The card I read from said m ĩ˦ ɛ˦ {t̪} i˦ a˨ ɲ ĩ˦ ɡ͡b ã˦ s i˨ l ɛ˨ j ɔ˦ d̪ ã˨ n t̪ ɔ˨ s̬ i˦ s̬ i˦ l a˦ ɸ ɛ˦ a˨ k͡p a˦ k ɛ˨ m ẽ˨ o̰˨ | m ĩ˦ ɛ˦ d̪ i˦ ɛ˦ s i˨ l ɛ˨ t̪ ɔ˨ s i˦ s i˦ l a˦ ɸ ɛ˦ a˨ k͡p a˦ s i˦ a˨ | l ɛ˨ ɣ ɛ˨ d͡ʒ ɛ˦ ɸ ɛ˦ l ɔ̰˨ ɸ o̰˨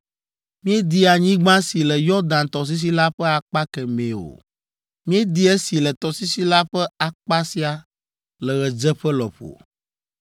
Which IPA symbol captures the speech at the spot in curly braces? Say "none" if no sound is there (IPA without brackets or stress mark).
d̪